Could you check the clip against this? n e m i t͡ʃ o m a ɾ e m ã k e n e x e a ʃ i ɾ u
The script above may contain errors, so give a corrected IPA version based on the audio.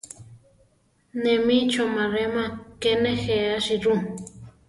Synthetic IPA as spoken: n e m i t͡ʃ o m a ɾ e m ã k e n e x e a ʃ i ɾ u